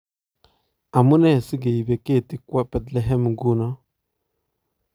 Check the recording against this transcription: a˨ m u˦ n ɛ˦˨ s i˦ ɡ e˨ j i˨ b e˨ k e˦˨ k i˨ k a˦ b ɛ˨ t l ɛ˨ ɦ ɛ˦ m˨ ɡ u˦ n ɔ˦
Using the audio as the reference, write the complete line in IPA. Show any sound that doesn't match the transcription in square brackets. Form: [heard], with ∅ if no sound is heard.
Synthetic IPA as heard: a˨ m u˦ n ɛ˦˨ s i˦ ɡ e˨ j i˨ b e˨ k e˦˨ [t] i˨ k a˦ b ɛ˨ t l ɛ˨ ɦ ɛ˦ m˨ ɡ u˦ n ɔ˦